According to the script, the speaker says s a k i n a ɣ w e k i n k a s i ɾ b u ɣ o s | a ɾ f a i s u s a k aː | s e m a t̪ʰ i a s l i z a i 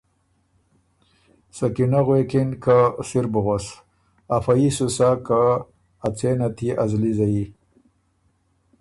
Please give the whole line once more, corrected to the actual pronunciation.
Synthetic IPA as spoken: s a k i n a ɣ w e k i n k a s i ɾ b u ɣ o s | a f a i s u s a k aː | t͡s e n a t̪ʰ i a z l i z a i